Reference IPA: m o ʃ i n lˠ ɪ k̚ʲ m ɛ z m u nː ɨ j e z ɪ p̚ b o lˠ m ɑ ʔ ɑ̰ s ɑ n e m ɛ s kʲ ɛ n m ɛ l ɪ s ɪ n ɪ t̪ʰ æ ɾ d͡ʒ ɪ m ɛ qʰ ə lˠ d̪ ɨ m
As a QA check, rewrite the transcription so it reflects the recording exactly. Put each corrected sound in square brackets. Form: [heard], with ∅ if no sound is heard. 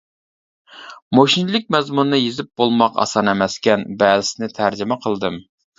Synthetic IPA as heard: m o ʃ i n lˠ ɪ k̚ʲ m ɛ z m u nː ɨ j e z ɪ p̚ b o lˠ m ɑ [q] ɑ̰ s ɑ n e m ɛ s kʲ ɛ n [b] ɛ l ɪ s ɪ n ɪ t̪ʰ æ ɾ d͡ʒ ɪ m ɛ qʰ ə lˠ d̪ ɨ m